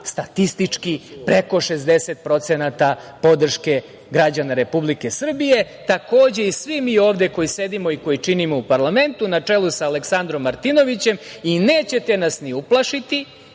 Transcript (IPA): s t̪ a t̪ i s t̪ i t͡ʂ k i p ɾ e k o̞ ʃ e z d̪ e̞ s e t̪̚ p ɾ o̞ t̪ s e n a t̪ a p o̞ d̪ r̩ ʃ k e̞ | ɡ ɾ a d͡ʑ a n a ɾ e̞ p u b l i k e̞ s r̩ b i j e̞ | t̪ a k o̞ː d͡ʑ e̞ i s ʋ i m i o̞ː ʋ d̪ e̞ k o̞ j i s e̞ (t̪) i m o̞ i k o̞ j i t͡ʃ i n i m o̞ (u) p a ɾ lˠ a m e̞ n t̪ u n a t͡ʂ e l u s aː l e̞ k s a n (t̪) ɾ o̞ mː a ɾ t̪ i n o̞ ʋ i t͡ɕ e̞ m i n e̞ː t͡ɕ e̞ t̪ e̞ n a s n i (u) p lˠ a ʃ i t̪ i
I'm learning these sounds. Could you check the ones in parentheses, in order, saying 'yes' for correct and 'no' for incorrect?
no, yes, no, yes

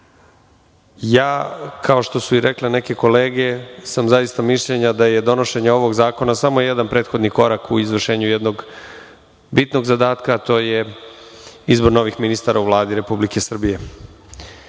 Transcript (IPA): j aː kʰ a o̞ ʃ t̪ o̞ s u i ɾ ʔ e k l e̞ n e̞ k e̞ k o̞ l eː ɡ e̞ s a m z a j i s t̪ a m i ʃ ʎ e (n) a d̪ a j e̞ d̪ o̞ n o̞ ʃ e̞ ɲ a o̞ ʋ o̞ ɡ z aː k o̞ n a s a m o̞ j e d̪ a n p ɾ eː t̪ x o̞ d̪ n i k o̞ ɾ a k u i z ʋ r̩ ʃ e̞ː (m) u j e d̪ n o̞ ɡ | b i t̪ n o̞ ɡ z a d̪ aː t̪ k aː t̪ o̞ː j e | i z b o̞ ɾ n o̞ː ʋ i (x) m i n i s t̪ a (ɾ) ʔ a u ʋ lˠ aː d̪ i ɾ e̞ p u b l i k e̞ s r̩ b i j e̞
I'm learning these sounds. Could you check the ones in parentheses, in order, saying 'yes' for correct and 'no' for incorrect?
no, no, yes, yes

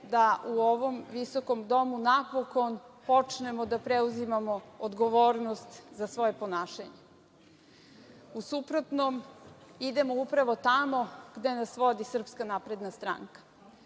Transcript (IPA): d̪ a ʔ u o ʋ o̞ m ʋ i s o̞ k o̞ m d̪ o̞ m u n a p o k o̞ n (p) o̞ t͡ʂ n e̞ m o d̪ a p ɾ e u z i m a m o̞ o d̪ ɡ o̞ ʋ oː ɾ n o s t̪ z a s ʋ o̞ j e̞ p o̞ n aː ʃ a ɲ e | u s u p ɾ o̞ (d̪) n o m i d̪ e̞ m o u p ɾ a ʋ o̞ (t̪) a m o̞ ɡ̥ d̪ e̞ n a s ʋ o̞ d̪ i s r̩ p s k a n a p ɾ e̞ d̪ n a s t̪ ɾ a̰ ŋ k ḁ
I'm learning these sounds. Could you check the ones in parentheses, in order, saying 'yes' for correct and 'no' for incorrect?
yes, no, yes

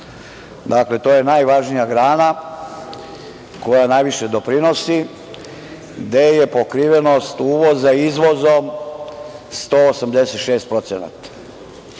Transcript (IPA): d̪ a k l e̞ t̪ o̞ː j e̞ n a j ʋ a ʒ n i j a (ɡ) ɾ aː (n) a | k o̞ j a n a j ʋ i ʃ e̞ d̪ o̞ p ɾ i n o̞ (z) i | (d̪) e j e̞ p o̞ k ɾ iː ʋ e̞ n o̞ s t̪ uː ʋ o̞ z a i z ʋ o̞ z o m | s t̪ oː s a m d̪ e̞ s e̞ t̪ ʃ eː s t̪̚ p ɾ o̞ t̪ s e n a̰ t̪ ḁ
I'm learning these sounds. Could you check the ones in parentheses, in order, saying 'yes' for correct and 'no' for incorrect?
yes, yes, no, yes

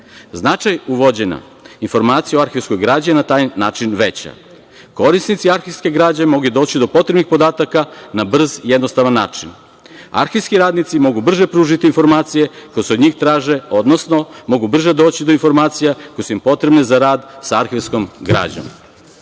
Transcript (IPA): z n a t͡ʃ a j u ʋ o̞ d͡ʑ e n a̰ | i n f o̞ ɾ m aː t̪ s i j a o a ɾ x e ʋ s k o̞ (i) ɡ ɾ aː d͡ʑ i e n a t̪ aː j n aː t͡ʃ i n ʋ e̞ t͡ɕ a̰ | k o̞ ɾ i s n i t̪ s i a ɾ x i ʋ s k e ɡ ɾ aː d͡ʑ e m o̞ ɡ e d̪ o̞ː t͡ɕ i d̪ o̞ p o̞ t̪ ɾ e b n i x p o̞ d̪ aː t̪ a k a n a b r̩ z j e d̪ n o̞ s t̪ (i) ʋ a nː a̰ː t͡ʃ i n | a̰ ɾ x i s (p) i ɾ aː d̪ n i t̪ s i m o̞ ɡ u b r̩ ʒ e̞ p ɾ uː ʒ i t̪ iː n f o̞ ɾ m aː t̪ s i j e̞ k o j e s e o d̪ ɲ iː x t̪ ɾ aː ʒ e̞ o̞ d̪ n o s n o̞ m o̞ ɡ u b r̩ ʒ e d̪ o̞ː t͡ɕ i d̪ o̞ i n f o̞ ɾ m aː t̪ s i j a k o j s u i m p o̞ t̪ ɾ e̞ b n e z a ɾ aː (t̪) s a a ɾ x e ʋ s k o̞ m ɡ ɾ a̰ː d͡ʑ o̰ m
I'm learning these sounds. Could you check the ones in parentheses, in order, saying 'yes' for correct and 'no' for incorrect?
no, no, no, no

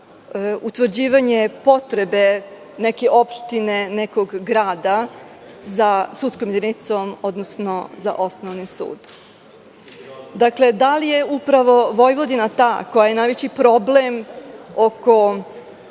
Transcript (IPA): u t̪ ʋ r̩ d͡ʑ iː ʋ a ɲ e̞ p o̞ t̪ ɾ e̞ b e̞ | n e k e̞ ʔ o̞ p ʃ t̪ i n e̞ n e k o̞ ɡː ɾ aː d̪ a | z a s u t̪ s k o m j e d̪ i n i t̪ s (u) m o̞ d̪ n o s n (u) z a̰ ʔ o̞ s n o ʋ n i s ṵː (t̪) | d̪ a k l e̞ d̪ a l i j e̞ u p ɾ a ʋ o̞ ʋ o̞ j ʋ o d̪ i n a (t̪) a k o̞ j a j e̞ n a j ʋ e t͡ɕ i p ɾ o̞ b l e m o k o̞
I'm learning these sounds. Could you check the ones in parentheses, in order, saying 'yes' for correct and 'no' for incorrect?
no, no, no, yes

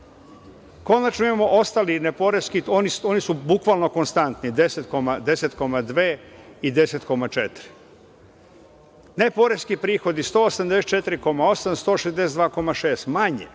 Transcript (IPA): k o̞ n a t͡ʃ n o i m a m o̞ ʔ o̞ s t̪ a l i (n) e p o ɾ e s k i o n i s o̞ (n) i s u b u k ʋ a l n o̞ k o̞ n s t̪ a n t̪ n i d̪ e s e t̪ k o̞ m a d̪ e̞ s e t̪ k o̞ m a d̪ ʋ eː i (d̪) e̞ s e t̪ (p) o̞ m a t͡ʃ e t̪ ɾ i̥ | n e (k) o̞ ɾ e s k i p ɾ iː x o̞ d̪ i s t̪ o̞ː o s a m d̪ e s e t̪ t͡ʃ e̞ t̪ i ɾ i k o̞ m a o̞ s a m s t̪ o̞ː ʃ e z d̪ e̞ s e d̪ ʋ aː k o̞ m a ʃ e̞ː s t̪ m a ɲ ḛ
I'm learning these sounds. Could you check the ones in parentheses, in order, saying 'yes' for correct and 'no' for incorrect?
yes, yes, yes, no, no

